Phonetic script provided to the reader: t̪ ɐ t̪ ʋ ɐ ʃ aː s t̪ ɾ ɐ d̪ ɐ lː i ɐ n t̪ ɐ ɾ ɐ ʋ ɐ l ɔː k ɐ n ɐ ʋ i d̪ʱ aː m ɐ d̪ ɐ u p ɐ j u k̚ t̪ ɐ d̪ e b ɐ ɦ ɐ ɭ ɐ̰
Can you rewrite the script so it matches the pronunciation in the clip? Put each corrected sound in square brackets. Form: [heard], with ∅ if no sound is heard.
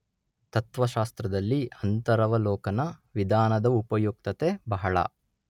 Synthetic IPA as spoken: t̪ ɐ t̪ ʋ ɐ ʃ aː s t̪ ɾ ɐ d̪ ɐ lː i ɐ n t̪ ɐ ɾ ɐ ʋ ɐ l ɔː k ɐ n ɐ ʋ i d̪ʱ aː [n] ɐ d̪ ɐ u p ɐ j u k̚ t̪ ɐ [t̪] e b ɐ ɦ ɐ ɭ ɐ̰